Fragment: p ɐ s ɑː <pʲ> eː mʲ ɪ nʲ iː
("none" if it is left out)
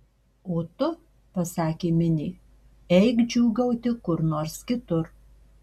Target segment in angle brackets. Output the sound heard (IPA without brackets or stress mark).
kʲ